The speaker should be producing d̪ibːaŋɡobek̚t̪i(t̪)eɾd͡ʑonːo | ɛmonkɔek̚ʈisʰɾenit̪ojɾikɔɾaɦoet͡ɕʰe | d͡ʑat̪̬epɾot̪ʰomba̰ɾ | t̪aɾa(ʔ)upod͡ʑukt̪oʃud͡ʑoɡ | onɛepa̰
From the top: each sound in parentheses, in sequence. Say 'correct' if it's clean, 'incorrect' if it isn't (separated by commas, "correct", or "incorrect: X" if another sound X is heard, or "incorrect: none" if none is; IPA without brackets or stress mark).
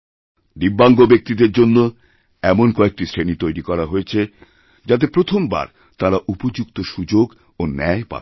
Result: incorrect: d̪, correct